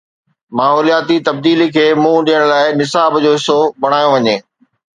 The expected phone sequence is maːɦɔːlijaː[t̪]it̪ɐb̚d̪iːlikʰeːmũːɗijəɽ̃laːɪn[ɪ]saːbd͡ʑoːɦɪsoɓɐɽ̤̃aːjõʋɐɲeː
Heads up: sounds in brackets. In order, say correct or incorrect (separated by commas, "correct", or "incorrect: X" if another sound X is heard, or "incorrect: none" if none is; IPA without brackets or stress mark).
correct, correct